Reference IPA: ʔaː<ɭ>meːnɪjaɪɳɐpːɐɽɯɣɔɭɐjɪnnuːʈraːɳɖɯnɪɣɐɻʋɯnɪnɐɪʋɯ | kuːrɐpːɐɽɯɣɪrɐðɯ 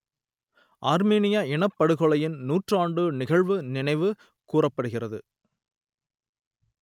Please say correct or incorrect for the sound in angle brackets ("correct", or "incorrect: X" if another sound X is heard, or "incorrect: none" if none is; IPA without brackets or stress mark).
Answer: incorrect: ɾ